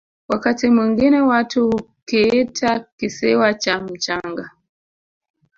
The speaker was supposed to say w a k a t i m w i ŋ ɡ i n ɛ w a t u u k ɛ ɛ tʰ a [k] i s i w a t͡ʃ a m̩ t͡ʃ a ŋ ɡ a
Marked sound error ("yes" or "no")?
no